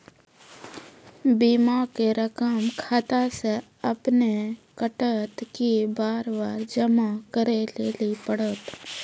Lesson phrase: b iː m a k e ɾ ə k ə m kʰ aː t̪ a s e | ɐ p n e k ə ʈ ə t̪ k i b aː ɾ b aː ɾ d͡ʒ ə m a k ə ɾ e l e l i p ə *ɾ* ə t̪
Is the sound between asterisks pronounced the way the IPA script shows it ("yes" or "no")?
no